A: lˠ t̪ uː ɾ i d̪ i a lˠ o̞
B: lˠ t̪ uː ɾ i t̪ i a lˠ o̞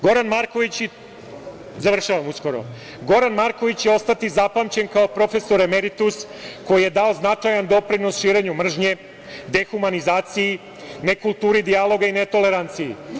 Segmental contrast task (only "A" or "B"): A